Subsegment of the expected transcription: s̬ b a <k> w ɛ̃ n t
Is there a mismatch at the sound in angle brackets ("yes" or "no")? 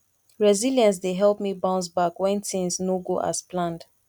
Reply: no